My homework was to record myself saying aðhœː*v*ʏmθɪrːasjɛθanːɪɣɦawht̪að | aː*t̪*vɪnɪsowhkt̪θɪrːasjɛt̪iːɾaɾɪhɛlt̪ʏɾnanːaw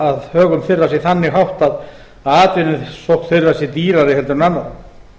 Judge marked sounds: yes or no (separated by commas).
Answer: no, yes